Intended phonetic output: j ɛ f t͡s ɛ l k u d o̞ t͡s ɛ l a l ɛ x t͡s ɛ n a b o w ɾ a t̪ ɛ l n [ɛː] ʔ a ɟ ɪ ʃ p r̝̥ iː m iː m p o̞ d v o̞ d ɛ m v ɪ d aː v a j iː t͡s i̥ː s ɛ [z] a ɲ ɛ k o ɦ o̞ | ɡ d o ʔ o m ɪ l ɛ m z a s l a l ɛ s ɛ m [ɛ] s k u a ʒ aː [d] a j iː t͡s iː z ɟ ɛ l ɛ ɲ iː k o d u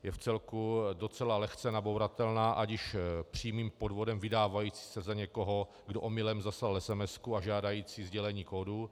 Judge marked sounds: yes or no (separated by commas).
no, yes, yes, yes